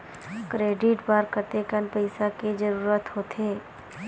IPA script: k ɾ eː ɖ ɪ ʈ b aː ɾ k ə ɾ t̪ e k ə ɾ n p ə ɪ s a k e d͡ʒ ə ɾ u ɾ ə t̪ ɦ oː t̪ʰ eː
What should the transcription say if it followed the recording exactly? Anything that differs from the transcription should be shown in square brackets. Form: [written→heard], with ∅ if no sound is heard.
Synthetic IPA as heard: k ɾ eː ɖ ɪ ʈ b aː ɾ k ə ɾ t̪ e k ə [ɾ→∅] n p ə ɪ s a k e d͡ʒ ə ɾ [u→uː] ɾ ə t̪ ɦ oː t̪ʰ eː